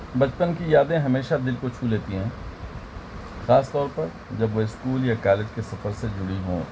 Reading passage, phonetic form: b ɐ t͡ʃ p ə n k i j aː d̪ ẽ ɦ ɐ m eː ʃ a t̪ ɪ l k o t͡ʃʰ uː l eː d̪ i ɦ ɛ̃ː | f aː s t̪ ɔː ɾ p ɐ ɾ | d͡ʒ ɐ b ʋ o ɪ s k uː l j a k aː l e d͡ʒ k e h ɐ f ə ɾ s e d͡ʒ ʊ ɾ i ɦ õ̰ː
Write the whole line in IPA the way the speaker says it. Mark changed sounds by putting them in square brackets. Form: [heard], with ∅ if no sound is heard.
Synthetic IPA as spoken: b ɐ t͡ʃ p ə n k i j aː d̪ ẽ ɦ ɐ m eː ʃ a [d̪] ɪ l k o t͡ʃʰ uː l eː [t̪] i ɦ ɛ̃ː | [x] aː s t̪ ɔː ɾ p ɐ ɾ | d͡ʒ ɐ b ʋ o ɪ s k uː l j a k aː l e d͡ʒ k e [s] ɐ f ə ɾ s e d͡ʒ ʊ [ɽ] i ɦ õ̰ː

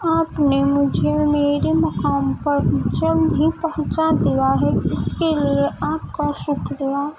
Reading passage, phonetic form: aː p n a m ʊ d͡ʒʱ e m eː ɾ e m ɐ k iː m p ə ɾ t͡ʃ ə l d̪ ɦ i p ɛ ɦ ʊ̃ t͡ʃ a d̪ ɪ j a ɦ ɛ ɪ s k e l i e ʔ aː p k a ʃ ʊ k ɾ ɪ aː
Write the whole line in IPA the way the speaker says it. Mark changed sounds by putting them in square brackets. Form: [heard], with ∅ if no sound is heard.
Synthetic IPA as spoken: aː p n [e] m ʊ d͡ʒʱ e m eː ɾ e m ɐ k [aː] m p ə ɾ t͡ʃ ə l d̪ ɦ i p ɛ ɦ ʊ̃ t͡ʃ a d̪ [i] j a ɦ ɛ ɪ s k e l i e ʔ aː p k a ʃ ʊ k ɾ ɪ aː

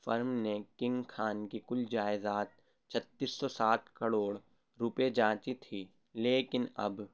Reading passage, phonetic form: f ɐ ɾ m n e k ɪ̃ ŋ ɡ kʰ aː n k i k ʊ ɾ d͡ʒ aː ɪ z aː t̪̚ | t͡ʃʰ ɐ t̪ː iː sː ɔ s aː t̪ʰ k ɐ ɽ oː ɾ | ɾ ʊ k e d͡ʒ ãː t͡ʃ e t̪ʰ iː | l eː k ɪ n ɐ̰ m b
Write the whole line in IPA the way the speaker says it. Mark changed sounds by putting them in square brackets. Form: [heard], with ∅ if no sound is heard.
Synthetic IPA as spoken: f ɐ ɾ m n e k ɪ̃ ŋ ɡ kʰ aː n k i k ʊ [l] d͡ʒ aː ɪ z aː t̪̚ | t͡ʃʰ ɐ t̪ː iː sː ɔ s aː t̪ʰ k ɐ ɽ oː [ɽ] | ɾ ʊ [p] e d͡ʒ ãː t͡ʃ [i] t̪ʰ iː | l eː k ɪ n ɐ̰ [∅] b

